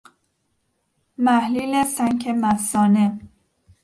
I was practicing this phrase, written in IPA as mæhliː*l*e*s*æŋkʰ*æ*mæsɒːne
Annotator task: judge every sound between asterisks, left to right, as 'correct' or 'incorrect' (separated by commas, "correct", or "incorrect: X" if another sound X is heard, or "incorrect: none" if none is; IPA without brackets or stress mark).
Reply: correct, correct, incorrect: e